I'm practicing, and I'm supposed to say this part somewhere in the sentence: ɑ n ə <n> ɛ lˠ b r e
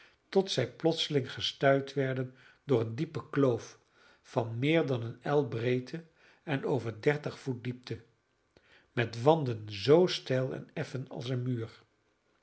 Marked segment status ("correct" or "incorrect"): correct